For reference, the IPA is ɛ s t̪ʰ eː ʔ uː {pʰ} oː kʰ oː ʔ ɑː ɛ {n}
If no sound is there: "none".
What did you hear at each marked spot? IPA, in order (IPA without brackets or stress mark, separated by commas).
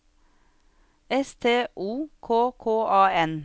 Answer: kʰ, n